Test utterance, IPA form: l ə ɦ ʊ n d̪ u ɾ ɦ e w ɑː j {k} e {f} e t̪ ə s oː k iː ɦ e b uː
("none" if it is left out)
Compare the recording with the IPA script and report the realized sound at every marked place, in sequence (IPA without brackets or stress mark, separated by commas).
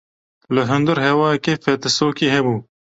k, f